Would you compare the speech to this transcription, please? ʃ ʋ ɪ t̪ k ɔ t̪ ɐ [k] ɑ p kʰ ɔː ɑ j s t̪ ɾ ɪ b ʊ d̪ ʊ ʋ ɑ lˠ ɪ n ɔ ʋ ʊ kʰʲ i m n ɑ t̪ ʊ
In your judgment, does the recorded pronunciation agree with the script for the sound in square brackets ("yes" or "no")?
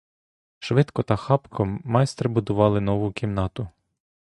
no